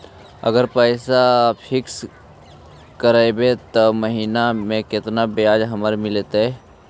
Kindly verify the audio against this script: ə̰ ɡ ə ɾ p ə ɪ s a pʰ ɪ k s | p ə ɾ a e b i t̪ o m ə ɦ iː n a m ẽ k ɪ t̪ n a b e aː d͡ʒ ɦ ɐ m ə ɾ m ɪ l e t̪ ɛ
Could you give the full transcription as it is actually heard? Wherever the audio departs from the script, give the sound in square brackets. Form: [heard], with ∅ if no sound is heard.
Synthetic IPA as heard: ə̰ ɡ ə ɾ p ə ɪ s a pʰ ɪ k s | [k] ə ɾ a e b [e] t̪ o m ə ɦ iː n a m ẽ k ɪ t̪ n a b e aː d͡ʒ ɦ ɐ m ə ɾ m ɪ l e t̪ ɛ